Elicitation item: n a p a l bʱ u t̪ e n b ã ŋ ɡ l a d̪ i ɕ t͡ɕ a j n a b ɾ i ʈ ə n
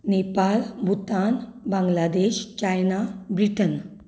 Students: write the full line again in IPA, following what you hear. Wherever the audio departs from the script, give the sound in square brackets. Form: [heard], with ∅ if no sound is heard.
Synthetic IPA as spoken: n [e] p a l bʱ u t̪ [a] n b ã ŋ ɡ l a d̪ [e] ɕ t͡ɕ a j n a b ɾ i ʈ ə n